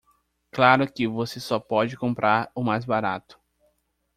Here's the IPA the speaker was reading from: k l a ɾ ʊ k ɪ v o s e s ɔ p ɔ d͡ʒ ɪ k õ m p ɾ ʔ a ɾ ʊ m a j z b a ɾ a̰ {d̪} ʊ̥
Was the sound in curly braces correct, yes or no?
no